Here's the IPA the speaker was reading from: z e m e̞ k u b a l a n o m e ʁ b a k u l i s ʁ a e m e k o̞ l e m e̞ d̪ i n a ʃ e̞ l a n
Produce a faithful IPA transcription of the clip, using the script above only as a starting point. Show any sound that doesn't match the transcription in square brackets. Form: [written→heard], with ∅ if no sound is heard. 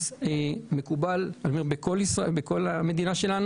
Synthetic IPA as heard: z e m e̞ k u b a l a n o m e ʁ b [a→e] k [u→o] l i s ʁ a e [m→b] e k o̞ l [e→a] m e̞ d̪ i n a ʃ e̞ l a n